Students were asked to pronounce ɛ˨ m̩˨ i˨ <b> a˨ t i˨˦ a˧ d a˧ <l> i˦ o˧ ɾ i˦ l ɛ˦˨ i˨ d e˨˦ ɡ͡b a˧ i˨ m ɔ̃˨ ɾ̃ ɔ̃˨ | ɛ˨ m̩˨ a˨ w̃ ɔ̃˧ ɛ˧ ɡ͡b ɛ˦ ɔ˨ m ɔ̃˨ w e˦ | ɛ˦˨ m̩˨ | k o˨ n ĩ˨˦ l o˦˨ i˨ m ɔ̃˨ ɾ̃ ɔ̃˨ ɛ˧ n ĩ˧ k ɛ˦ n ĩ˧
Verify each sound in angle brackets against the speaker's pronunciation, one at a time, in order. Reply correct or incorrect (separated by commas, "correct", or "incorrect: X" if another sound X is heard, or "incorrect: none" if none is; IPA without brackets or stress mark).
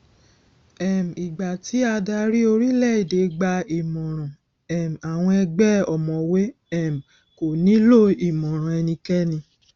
incorrect: ɡ͡b, incorrect: ɾ